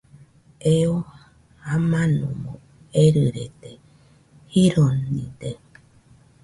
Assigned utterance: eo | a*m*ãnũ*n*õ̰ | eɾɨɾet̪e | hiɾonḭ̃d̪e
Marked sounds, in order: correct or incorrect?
correct, incorrect: m

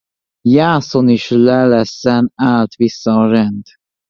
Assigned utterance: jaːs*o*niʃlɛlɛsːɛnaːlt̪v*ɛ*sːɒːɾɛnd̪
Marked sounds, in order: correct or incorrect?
correct, incorrect: i

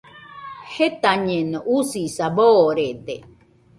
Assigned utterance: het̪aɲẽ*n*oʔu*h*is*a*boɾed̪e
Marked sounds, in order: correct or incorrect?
correct, incorrect: s, correct

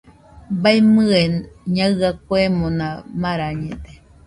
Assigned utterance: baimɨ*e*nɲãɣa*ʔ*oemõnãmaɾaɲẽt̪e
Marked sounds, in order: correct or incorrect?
correct, incorrect: k

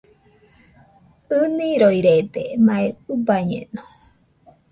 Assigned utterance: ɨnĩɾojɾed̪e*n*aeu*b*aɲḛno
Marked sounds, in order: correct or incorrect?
incorrect: m, correct

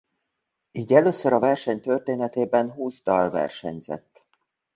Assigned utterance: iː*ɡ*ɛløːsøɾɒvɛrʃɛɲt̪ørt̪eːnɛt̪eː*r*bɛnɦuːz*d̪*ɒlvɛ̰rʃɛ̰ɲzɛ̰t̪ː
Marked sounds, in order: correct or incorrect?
incorrect: ɟ, incorrect: none, correct

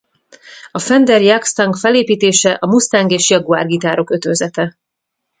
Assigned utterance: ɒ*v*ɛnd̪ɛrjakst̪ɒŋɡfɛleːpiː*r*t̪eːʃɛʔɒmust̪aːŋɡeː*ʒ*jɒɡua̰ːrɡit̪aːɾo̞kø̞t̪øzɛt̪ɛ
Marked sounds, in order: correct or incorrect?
incorrect: f, incorrect: none, incorrect: ʃ

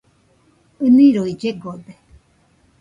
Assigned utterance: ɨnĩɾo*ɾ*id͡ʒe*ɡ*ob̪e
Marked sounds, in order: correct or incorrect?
incorrect: none, correct

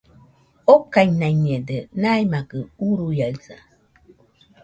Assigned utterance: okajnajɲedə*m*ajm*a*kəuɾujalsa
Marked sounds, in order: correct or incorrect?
incorrect: n, correct

